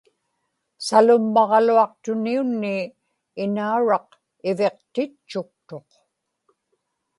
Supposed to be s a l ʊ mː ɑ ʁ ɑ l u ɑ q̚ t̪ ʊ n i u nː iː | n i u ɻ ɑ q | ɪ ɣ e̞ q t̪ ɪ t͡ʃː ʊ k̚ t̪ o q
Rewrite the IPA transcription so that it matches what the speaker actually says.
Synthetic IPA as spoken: s a l ʊ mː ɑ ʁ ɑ l u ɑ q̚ t̪ ʊ n i u nː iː | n a u ɻ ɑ q | ɪ v e̞ q t̪ ɪ t͡ʃː ʊ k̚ t̪ o q